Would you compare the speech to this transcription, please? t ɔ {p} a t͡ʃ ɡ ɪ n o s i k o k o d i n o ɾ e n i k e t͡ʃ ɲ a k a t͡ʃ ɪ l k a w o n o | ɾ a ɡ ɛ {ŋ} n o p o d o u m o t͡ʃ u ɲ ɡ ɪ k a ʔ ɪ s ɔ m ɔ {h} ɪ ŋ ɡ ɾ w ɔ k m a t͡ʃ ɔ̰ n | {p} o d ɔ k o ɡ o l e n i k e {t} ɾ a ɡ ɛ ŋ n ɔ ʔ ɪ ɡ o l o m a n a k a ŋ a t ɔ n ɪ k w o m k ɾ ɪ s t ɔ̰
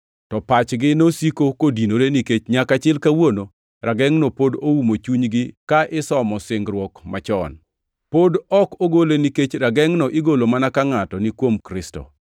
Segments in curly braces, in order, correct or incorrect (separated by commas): correct, correct, incorrect, correct, incorrect